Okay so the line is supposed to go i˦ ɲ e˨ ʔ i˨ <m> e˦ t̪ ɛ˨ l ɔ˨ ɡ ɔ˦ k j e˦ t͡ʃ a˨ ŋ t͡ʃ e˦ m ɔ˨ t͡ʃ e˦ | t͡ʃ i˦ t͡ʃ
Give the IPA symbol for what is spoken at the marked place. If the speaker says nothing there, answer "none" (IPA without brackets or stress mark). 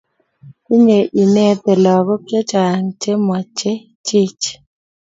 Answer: n